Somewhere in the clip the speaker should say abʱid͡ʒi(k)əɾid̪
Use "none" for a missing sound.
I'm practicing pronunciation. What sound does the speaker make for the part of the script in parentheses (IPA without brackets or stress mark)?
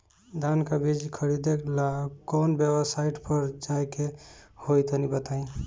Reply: kʰ